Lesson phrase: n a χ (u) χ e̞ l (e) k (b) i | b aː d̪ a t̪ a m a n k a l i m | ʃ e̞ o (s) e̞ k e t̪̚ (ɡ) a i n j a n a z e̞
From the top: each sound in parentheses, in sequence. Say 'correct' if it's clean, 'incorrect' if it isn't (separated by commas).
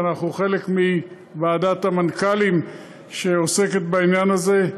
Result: correct, correct, incorrect, correct, incorrect